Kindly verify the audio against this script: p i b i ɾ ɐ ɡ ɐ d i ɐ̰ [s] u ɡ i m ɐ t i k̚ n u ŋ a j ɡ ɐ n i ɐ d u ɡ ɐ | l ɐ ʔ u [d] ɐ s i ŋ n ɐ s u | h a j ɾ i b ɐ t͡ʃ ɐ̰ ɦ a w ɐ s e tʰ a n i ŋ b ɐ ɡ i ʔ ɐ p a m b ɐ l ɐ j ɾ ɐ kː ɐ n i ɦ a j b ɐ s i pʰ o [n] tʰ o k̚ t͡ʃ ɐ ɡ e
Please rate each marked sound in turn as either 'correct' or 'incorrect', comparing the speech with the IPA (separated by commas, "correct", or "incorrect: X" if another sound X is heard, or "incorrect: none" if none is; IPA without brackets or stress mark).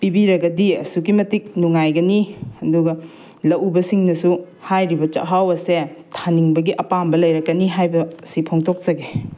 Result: correct, incorrect: b, incorrect: ŋ